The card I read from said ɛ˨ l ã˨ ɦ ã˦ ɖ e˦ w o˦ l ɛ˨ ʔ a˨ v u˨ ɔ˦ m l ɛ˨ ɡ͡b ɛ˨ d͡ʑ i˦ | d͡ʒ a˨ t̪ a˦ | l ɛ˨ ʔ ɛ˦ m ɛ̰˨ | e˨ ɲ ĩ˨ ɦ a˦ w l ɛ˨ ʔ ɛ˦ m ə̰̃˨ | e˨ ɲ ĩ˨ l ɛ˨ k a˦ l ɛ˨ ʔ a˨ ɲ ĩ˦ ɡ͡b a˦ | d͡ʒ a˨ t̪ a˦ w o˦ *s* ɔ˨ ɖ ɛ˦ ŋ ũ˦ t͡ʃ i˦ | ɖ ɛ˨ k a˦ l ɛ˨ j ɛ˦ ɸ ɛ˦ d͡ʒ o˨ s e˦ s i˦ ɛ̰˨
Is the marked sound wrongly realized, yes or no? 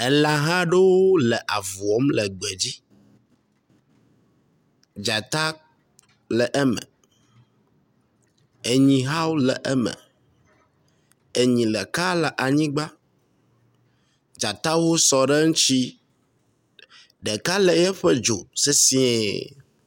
no